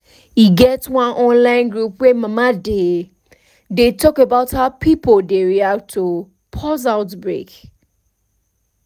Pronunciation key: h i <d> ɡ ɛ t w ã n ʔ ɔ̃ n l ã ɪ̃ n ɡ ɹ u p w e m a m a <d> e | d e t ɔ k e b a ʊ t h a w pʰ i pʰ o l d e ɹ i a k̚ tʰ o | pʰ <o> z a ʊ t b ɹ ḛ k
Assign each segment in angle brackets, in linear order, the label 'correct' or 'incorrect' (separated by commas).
incorrect, correct, incorrect